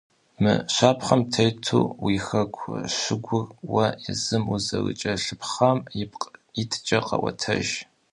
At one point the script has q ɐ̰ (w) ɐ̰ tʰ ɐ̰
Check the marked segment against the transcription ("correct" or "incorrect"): correct